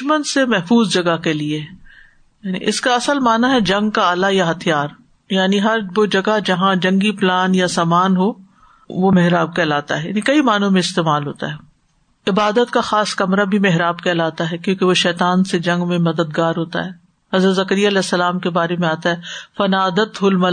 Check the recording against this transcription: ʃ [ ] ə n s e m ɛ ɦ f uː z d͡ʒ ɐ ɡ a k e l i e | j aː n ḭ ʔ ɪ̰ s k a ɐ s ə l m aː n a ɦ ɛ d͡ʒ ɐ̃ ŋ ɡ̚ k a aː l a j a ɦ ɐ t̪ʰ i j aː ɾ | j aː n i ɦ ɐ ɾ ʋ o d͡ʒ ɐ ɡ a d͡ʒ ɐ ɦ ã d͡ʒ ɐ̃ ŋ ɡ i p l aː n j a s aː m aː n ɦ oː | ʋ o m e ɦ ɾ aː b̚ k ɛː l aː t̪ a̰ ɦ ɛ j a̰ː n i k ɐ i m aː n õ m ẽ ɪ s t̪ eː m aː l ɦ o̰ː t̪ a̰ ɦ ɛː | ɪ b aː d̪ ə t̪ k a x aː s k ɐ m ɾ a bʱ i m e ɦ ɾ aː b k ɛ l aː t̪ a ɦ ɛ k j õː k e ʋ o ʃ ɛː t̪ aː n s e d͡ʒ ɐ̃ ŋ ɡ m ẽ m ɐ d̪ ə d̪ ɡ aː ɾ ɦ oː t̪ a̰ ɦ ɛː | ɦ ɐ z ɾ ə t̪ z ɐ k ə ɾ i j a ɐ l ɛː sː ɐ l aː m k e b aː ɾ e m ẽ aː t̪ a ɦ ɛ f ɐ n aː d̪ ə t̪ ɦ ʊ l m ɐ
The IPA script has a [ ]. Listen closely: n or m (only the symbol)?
m